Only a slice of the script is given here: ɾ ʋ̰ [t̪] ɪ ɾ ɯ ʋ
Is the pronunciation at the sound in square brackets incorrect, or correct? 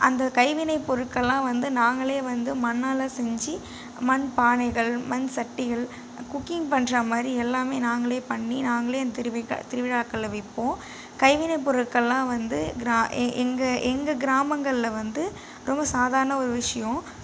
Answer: correct